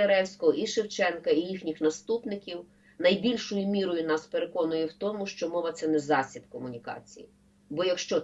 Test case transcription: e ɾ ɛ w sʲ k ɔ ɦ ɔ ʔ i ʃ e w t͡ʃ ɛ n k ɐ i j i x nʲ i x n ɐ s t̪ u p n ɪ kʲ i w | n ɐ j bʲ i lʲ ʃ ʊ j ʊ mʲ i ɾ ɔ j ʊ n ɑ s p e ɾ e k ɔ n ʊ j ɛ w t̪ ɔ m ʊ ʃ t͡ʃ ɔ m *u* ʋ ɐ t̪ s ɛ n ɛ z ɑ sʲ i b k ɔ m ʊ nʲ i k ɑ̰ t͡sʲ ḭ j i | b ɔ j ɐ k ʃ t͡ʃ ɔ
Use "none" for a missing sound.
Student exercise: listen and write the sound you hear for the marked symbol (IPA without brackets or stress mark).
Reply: ɔ